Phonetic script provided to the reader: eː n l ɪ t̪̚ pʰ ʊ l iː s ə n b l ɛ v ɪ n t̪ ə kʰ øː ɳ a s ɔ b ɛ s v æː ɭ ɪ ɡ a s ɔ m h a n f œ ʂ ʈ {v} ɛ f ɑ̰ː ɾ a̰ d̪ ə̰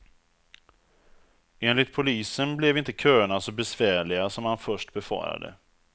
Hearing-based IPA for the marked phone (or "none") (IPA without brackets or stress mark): b